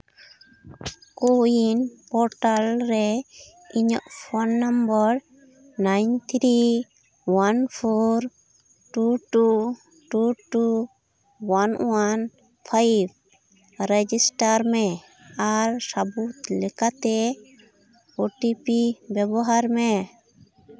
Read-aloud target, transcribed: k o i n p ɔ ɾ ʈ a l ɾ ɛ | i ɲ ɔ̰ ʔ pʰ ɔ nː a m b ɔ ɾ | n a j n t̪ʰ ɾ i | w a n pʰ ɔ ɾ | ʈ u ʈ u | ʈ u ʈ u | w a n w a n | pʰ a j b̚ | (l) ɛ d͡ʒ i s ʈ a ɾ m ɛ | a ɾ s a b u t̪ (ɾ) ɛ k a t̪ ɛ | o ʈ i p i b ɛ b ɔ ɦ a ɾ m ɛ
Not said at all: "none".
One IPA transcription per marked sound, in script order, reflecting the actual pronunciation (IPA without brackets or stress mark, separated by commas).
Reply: ɾ, l